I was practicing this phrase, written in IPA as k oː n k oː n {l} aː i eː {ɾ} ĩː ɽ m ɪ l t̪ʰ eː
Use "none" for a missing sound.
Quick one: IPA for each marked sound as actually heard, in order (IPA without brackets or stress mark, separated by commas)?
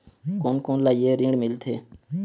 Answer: l, ɾ